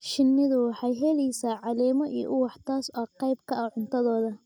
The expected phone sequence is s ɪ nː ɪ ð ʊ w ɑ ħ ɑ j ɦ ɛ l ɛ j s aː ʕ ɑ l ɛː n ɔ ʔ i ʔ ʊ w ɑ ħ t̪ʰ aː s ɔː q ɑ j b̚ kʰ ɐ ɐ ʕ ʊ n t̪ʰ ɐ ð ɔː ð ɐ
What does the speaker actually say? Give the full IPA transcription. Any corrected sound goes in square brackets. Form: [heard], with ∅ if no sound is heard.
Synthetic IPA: [ʃ] ɪ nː ɪ ð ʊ w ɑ ħ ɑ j ɦ ɛ l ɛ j s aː ʕ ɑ l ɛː [m] ɔ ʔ i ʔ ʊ w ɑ ħ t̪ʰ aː s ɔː q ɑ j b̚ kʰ ɐ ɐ ʕ ʊ n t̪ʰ ɐ ð ɔː ð ɐ